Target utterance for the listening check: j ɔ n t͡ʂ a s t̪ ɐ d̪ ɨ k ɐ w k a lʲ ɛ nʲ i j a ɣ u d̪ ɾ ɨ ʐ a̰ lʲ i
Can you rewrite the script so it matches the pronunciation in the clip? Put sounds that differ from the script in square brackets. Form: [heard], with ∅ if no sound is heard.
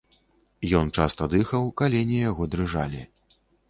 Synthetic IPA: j ɔ n t͡ʂ a s t̪ ɐ d̪ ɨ [x] ɐ w k a lʲ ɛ nʲ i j a ɣ [ɔ] d̪ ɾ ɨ ʐ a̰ lʲ i